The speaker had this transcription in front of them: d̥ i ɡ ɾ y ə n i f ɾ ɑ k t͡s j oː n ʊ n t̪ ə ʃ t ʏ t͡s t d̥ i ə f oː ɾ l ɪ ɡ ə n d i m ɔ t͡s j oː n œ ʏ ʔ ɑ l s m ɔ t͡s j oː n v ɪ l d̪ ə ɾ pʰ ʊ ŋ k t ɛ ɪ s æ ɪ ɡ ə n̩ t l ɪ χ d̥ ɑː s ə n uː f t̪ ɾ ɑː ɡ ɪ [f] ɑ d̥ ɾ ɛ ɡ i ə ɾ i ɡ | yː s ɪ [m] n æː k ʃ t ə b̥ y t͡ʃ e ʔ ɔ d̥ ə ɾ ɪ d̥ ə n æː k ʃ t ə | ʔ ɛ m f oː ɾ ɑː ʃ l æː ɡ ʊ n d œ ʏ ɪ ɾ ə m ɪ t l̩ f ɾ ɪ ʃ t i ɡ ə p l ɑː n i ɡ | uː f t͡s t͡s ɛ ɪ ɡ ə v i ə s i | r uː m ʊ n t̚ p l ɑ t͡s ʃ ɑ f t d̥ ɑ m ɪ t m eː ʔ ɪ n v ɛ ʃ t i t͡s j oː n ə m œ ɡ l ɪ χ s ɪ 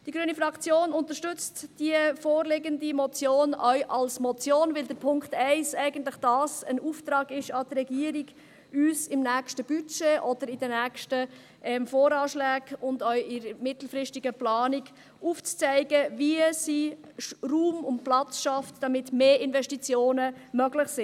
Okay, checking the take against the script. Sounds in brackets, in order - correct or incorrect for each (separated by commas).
incorrect, correct